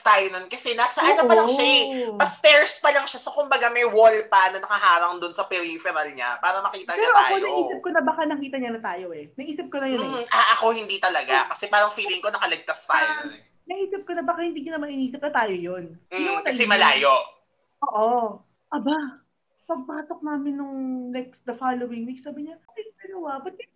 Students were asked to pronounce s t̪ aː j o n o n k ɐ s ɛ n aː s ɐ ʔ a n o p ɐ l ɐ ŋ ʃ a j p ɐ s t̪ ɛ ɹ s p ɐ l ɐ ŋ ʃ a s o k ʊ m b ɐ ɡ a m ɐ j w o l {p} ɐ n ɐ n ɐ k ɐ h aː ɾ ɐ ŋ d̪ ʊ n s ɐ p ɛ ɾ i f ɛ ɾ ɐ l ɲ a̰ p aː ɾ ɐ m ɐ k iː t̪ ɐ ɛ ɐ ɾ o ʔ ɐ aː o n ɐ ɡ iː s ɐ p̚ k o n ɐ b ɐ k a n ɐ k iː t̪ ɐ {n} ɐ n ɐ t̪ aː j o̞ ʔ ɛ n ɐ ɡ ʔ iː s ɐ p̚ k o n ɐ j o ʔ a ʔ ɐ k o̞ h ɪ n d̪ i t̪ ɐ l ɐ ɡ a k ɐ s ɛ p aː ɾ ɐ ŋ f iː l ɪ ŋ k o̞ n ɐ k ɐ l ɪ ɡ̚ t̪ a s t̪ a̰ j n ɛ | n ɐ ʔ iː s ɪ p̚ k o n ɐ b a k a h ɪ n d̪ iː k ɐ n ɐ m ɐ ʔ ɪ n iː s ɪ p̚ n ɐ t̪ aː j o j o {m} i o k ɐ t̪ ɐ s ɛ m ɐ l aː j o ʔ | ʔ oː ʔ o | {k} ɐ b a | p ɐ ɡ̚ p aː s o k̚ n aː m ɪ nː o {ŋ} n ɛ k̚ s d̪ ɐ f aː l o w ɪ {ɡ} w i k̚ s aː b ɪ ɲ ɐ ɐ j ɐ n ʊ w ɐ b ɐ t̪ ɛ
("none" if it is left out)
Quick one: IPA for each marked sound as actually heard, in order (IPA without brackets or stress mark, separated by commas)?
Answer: p, ɲ, n, ʔ, ŋ, ŋ